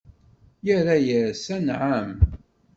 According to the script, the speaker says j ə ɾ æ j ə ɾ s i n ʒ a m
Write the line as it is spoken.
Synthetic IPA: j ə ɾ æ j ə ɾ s æ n ʕ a m